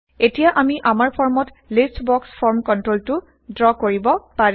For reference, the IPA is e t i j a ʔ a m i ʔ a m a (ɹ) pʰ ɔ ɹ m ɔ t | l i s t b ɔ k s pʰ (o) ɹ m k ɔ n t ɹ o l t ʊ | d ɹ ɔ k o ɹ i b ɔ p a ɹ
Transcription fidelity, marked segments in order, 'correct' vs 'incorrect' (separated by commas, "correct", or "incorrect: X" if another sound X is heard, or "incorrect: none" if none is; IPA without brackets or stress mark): correct, incorrect: ɔ